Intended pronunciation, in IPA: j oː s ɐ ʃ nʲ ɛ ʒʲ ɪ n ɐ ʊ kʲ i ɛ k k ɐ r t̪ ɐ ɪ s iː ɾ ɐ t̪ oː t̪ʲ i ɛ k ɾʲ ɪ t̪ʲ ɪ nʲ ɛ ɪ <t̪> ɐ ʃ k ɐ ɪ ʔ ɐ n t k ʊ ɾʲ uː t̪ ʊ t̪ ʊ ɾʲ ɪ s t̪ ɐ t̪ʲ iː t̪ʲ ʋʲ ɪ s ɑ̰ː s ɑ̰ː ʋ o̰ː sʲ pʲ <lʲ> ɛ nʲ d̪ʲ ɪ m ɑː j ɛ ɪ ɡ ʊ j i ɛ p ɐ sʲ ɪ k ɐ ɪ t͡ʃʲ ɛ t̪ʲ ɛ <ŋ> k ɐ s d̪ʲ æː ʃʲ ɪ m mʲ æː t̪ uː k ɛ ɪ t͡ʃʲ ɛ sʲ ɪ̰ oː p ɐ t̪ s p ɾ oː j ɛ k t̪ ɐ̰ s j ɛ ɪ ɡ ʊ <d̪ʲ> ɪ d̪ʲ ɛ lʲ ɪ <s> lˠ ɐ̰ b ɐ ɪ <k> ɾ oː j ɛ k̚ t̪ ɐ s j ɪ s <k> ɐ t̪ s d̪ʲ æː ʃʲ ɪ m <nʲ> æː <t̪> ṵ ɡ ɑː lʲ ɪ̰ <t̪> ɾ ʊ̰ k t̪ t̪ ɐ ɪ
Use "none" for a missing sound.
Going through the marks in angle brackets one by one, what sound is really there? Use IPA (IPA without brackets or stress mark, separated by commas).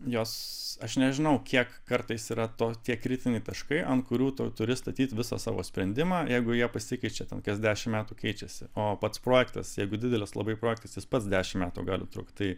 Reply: t̪, ɾʲ, n, d̪ʲ, s, p, p, mʲ, t̪, t̪